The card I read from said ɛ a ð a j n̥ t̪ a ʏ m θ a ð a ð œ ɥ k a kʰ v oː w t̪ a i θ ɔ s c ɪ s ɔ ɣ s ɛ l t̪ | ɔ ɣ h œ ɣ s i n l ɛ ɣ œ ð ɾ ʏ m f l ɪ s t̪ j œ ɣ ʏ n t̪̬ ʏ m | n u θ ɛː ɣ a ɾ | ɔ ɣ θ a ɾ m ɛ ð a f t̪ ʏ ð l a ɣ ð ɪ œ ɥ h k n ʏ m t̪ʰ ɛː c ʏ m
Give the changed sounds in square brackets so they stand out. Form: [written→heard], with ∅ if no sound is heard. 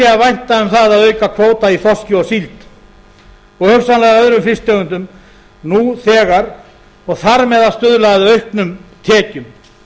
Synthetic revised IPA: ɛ a [ð→v] a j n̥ t̪ a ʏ m θ a ð a ð œ ɥ k a kʰ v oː w t̪ a i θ ɔ s c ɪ [s→∅] ɔ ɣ s [ɛ→i] l t̪ | ɔ ɣ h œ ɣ s [i→a] n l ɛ ɣ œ ð ɾ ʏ m f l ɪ s t̪ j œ ɣ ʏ n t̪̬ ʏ m | n u θ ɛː ɣ a ɾ | ɔ ɣ θ a ɾ m ɛ ð a [f→s] t̪ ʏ ð l a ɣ ð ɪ œ ɥ h k n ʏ m t̪ʰ ɛː c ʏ m